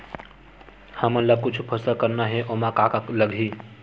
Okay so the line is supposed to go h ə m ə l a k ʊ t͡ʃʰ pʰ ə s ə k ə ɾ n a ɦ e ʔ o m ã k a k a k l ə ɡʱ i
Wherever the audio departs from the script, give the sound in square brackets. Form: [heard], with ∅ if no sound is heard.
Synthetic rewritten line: h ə m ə l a k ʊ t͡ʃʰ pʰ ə s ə k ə ɾ n a ɦ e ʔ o m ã k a k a k l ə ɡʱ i